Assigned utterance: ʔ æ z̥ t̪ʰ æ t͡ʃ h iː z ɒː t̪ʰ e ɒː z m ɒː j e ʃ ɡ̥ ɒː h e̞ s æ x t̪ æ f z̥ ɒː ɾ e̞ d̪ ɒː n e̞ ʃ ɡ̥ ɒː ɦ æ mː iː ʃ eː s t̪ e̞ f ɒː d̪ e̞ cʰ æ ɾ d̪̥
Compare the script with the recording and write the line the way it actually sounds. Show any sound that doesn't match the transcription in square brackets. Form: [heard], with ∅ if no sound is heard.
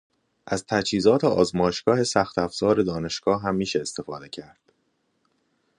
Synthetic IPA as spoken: ʔ æ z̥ t̪ʰ æ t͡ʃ h iː z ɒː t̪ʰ e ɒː z m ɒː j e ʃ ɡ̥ ɒː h e̞ s æ x t̪ æ f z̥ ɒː ɾ e̞ d̪ ɒː n e̞ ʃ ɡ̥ ɒː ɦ æ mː iː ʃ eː s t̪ e̞ f ɒː d̪ e̞ cʰ æ ɾ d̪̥